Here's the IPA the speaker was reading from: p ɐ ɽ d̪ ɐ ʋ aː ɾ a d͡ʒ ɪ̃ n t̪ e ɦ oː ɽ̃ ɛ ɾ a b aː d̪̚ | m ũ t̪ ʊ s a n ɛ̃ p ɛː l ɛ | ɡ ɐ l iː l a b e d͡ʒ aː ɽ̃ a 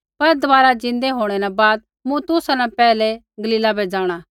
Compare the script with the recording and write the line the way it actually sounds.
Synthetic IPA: p ɐ ɾ d̪ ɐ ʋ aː ɾ a d͡ʒ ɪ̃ n d̪ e ɦ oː ɽ̃ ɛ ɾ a b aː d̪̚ | m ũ t̪ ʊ s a n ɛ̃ p ɛː l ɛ | ɡ ɐ l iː l a b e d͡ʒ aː ɽ̃ a

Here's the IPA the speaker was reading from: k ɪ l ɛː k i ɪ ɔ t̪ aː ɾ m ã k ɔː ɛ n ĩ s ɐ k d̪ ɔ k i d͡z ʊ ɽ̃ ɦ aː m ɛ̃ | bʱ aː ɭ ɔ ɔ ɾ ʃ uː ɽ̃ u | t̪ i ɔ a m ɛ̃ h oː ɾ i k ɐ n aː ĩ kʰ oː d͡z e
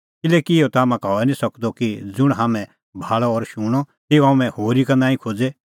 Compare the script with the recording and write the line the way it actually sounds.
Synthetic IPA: k ɪ l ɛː k i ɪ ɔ t̪ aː m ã k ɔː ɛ n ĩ s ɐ k d̪ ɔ k i d͡z ʊ ɽ̃ ɦ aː m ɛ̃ | bʱ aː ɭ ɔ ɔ ɾ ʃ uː ɽ̃ ɔ | t̪ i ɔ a m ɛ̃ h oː ɾ i k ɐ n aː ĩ kʰ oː d͡z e

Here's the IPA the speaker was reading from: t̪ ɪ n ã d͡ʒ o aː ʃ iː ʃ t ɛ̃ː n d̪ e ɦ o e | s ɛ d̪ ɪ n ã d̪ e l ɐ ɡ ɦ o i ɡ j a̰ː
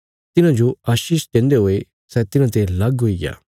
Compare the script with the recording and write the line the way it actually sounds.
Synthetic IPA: t̪ ɪ n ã d͡ʒ o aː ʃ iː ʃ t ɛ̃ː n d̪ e ɦ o e | s ɛ t̪ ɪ n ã t̪ e l ɐ ɡ ɦ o i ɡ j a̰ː

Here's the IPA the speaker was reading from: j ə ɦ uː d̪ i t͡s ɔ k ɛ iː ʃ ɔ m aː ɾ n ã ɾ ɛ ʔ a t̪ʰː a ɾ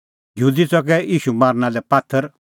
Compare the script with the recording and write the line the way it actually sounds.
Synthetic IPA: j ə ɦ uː d̪ i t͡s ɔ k ɛ iː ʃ u m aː ɾ n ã l ɛ p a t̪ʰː ə ɾ

